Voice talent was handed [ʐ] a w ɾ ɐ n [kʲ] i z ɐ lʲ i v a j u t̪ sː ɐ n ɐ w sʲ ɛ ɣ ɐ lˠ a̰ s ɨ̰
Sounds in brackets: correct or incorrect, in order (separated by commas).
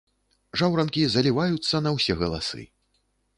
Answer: correct, correct